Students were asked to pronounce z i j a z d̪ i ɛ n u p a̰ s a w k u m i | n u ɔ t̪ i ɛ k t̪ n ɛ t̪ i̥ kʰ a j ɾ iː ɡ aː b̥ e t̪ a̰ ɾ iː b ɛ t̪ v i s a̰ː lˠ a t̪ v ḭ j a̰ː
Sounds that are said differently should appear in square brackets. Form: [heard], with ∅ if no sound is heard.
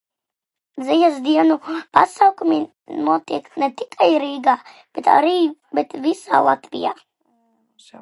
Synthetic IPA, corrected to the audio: z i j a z d̪ i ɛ n u p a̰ s a w k u m i | n u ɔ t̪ i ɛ k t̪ n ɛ t̪ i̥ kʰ a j ɾ iː ɡ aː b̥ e t̪ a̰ ɾ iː b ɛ t̪ v i s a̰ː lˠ a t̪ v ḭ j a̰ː